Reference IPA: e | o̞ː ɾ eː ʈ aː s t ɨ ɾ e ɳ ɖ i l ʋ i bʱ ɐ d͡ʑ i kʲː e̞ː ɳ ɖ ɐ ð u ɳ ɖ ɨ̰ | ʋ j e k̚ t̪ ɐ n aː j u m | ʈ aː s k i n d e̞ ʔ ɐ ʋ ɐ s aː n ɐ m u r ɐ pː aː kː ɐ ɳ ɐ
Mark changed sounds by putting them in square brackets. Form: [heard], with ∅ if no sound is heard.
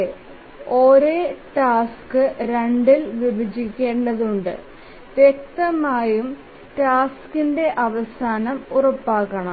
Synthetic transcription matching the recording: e | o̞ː ɾ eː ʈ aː s [k] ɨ ɾ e ɳ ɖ i l ʋ i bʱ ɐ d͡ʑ i kʲː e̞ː ɳ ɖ ɐ ð u ɳ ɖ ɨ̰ | ʋ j e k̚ t̪ ɐ [m] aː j u m | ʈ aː s k i n d e̞ ʔ ɐ ʋ ɐ s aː n ɐ m u r ɐ pː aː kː ɐ ɳ ɐ